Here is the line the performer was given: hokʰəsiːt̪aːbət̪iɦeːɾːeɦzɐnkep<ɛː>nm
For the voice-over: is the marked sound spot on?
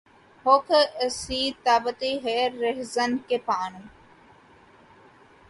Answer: no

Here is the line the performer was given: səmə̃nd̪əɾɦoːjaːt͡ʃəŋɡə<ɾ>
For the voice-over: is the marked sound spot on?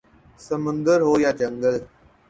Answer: no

